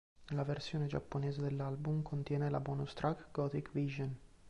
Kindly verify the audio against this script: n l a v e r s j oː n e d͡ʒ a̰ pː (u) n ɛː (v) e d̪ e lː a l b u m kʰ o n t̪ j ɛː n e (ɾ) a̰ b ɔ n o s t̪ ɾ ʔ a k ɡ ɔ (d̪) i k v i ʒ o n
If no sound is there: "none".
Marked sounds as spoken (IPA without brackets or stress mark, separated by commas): o, z, l, t̪